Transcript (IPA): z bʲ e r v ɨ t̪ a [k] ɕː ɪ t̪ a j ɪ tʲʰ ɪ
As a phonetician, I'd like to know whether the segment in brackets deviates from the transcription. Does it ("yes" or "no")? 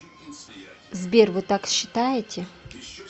no